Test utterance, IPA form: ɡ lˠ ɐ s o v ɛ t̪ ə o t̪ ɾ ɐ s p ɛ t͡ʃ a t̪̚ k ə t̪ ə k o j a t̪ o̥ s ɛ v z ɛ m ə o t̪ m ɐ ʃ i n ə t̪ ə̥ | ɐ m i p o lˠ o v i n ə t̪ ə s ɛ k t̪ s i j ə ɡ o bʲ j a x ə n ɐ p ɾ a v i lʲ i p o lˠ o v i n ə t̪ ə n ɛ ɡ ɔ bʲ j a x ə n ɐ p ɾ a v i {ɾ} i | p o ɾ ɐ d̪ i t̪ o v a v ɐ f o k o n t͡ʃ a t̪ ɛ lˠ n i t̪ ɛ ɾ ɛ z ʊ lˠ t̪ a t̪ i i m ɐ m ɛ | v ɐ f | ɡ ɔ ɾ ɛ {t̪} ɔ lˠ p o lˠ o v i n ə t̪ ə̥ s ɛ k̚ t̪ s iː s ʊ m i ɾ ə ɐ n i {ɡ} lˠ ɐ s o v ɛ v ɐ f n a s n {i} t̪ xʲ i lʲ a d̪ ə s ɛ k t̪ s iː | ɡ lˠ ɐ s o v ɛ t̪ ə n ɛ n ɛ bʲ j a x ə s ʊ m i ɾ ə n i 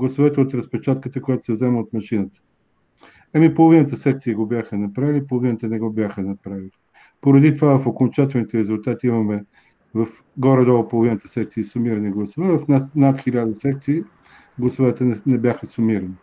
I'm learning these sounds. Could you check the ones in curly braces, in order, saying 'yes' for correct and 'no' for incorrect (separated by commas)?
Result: no, no, yes, no